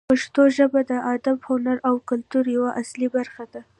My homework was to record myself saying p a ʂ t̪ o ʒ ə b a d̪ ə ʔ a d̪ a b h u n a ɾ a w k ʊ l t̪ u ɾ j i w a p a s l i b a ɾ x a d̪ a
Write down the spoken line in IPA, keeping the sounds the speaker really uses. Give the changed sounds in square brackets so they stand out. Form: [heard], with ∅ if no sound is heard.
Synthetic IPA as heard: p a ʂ t̪ o ʒ ə b a d̪ ə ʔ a d̪ a b h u n a ɾ a w k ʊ l t̪ u ɾ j [a] w a [ʔ] a s l i b a ɾ x a d̪ a